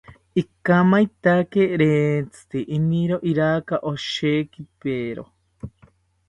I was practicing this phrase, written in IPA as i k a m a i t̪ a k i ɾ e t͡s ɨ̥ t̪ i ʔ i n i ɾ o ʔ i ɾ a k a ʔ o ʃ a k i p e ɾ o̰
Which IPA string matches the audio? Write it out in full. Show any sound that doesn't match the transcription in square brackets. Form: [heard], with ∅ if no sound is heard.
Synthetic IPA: i k a m a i t̪ a k [e] ɾ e t͡s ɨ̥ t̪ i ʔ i n i ɾ o ʔ i ɾ a k a ʔ o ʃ [e] k i p e ɾ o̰